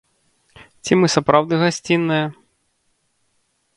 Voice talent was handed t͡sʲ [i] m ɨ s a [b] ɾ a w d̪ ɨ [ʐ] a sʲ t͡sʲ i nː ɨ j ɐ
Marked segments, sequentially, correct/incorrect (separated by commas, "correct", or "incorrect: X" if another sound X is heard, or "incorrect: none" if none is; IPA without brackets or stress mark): correct, incorrect: p, incorrect: ɣ